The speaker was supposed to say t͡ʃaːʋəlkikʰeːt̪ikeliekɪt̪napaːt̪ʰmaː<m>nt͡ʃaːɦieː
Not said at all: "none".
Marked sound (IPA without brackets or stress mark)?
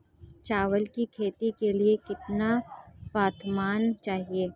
none